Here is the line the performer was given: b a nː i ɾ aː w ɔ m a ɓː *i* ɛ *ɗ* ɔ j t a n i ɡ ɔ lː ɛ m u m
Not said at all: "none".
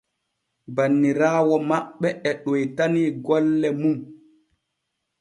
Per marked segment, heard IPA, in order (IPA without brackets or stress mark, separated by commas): ɛ, ɗ